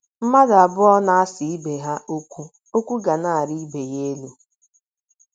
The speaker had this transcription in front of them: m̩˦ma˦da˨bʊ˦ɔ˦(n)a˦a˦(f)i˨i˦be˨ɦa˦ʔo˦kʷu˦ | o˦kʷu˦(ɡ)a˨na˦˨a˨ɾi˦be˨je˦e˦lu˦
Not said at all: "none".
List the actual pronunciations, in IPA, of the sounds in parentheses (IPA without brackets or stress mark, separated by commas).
n, s, ɡ